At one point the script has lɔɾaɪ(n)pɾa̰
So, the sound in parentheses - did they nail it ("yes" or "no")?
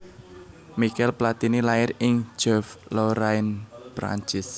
yes